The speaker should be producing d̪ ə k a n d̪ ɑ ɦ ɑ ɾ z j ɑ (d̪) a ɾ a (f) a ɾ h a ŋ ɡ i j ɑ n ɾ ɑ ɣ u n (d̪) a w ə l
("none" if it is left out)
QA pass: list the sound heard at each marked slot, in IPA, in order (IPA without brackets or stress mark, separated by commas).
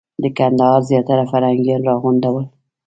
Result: t̪, f, d̪